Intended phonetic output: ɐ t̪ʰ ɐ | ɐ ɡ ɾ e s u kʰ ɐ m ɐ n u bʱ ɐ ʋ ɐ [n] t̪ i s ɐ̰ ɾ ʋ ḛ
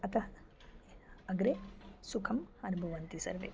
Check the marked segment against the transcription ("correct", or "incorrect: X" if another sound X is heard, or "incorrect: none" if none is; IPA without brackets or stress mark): correct